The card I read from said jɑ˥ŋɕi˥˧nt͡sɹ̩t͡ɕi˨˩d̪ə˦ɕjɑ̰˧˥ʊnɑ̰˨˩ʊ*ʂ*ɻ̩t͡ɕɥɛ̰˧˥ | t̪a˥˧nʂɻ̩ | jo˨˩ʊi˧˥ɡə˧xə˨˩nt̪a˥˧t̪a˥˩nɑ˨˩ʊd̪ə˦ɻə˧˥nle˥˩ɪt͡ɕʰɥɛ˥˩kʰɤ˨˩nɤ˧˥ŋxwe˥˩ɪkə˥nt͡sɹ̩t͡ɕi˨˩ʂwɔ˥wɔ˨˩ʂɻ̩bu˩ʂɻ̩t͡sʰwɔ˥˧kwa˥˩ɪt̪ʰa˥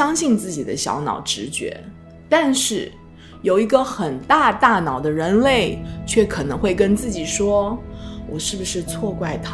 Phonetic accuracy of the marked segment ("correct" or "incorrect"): incorrect